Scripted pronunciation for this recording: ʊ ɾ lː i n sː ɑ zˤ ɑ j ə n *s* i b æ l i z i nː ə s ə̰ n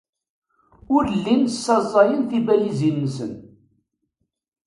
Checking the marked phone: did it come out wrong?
yes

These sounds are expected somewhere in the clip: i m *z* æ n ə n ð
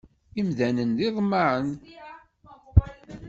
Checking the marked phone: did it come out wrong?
yes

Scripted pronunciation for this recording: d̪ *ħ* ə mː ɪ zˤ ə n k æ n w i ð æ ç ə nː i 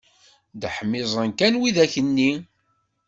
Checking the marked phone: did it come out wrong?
no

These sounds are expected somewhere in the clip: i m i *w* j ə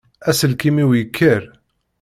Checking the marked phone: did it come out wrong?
no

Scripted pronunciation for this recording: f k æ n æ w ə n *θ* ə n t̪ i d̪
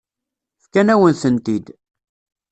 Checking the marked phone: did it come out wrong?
no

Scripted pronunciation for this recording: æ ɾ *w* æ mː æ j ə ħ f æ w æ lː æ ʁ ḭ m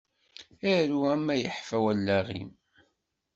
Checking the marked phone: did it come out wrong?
yes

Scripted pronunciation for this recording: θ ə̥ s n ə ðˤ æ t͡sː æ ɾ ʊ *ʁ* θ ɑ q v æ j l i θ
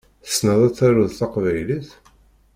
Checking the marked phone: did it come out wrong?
yes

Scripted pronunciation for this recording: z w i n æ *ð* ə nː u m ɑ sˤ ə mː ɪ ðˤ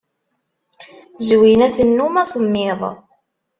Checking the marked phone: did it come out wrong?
yes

